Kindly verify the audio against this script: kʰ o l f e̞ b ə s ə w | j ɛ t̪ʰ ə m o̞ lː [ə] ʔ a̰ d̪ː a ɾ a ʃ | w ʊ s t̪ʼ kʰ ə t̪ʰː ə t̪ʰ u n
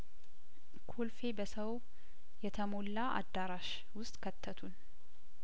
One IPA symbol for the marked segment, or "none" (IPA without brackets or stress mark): a